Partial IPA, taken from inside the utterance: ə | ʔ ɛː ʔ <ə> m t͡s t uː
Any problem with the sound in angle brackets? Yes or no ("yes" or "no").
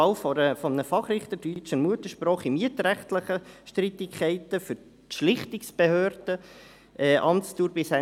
yes